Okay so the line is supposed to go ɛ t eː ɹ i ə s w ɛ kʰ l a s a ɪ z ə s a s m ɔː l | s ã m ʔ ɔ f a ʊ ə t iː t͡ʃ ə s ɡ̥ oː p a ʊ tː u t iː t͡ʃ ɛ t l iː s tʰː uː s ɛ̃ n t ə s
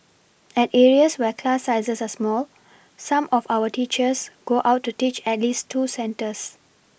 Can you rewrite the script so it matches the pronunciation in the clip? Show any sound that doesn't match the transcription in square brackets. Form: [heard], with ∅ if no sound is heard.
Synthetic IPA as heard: ɛ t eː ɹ i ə s w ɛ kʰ l a s a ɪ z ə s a s m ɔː l | s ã m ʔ ɔ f a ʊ ə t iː t͡ʃ ə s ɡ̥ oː [ʔ] a ʊ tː u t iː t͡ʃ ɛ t l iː s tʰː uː s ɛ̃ n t ə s